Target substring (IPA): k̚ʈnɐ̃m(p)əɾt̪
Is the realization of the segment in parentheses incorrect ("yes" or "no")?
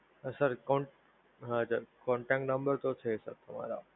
yes